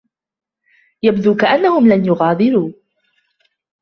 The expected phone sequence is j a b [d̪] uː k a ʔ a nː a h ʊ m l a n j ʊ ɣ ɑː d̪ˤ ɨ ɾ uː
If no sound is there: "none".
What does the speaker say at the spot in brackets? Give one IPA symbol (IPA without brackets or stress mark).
d̪